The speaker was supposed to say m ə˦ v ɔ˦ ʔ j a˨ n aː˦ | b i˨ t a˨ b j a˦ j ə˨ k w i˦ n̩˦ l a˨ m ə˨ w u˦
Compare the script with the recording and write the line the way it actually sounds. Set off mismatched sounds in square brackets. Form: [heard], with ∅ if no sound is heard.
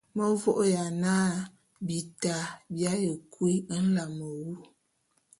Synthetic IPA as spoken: m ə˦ v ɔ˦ ʔ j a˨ n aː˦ | b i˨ t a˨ b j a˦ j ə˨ k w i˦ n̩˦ l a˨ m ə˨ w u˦